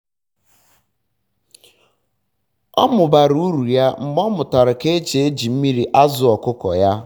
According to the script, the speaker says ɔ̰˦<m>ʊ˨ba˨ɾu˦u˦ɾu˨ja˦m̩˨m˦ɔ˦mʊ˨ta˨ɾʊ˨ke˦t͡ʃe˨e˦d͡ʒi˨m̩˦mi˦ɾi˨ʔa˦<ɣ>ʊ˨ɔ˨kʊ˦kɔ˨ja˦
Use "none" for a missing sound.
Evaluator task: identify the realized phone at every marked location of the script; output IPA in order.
m, z

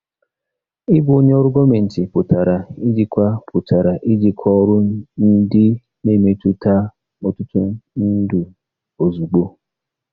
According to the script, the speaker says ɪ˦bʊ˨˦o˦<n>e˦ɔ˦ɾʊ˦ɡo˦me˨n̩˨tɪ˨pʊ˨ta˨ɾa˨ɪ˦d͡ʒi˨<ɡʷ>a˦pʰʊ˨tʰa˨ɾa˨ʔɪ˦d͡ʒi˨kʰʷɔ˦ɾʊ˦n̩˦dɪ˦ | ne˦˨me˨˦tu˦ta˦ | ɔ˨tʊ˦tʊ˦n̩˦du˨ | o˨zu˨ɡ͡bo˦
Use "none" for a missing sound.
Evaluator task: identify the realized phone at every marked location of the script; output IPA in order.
ɲ, kʷ

